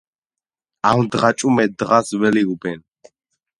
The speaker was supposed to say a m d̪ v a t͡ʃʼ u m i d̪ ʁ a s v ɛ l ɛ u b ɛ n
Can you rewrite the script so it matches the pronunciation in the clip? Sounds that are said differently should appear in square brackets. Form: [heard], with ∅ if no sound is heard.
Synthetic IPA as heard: a m d̪ [ʁ] a t͡ʃʼ u m [ɛ] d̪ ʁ a s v ɛ l [i] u b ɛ n